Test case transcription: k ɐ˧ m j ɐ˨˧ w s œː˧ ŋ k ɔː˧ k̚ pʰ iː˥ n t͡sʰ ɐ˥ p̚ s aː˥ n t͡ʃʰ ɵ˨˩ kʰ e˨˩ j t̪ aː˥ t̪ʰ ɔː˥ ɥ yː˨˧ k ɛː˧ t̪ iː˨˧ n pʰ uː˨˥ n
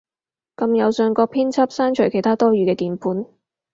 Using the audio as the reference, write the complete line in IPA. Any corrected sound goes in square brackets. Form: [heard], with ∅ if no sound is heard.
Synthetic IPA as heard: k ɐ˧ m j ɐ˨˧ w s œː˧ ŋ k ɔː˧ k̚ pʰ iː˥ n t͡sʰ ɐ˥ p̚ s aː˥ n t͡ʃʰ ɵ˨˩ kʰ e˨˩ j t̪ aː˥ [t̪] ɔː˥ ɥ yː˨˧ k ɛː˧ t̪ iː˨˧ n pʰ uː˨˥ n